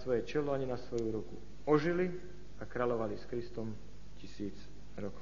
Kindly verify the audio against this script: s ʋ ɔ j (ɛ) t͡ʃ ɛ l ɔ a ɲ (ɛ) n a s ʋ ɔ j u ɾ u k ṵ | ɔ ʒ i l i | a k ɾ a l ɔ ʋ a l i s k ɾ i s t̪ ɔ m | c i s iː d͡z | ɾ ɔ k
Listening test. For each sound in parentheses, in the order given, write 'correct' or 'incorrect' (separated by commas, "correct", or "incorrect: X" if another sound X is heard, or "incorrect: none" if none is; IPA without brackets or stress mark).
correct, incorrect: i